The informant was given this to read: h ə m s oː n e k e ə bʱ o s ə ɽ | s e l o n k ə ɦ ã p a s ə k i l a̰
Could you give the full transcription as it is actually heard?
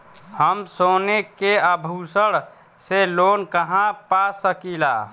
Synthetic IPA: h ə m s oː n e k e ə bʱ u s ə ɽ | s e l o n k ə ɦ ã p a s ə k i l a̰